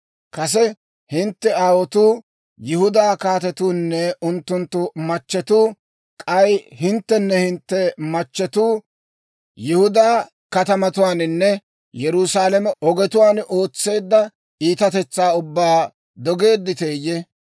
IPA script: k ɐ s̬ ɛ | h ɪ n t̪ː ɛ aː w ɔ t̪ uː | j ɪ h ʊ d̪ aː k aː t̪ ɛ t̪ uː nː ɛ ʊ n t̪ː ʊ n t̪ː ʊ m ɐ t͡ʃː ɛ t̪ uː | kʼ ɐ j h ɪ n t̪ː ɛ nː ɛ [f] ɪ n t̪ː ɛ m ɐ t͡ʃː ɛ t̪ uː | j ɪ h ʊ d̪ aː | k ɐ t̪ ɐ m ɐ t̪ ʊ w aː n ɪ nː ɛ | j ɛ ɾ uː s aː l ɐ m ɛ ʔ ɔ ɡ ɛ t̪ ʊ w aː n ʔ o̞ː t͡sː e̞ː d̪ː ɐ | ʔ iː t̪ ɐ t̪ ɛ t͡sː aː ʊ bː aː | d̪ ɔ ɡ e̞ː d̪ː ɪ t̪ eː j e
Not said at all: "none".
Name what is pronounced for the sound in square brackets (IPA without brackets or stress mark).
h